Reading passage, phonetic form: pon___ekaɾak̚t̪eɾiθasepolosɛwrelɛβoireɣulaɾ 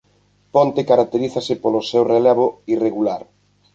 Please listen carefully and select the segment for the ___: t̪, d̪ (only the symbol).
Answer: t̪